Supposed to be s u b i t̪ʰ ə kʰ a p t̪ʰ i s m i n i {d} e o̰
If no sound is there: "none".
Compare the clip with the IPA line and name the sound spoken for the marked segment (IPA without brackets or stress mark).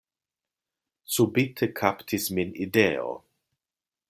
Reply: d